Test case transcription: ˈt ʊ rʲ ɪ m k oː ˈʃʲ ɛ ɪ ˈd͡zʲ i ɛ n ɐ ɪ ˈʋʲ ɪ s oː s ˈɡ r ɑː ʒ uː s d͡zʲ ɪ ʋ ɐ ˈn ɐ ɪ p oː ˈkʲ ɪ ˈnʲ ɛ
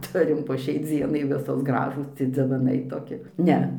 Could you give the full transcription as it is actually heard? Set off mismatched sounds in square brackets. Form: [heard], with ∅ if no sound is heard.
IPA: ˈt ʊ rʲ ɪ m [p] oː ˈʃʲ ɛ ɪ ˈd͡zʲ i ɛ n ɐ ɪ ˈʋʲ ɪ s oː s ˈɡ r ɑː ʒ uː s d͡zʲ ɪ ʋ ɐ ˈn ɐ ɪ [t] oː ˈkʲ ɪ ˈnʲ ɛ